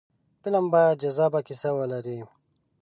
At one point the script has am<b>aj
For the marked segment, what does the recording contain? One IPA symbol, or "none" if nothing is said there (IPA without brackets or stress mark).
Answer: b